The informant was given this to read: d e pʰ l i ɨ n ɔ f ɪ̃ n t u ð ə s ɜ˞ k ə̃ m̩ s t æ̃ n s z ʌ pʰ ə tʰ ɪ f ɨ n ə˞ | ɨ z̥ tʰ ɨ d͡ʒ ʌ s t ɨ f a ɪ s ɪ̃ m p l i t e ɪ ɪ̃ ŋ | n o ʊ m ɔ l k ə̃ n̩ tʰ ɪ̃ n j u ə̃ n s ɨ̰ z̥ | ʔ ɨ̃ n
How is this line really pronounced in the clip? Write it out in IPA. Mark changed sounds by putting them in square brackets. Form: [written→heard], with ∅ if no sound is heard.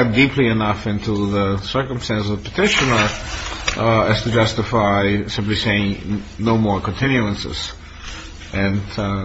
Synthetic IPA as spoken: d [e→i] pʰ l i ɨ n [ɔ→ʌ] f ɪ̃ n t u ð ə s ɜ˞ k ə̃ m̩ s t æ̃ n s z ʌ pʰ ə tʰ ɪ [f→ʃ] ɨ n ə˞ | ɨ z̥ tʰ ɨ d͡ʒ ʌ s t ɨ f a ɪ s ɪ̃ m p l i [t→s] e ɪ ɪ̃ ŋ | n o ʊ m ɔ [l→ɹ] k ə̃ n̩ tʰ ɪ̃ n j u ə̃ n s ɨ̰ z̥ | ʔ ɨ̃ n